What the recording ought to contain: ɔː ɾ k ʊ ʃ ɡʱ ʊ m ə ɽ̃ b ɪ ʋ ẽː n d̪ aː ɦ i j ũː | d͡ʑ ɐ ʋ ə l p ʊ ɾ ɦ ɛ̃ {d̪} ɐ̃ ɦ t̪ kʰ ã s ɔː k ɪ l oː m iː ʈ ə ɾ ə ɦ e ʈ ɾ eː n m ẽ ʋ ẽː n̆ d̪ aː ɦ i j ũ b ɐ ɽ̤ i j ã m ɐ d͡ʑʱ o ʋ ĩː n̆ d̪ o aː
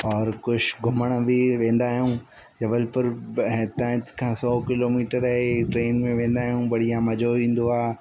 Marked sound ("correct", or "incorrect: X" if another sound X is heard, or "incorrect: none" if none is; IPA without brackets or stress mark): incorrect: t̪